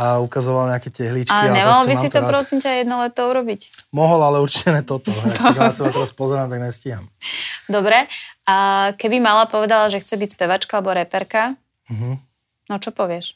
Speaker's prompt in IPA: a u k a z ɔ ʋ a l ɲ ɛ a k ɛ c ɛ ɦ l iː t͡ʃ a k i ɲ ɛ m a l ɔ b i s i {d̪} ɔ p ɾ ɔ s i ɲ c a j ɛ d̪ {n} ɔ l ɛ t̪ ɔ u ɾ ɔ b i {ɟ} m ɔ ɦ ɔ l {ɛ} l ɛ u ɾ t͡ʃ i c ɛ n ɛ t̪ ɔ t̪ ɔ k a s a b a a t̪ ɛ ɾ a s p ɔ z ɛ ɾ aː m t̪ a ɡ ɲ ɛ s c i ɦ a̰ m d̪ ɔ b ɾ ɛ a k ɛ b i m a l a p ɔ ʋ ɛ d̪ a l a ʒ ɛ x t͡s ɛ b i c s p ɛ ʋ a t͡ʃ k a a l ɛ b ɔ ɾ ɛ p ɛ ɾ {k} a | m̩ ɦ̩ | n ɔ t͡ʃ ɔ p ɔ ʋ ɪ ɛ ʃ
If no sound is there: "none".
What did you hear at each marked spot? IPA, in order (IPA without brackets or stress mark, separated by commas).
t̪, n, c, a, k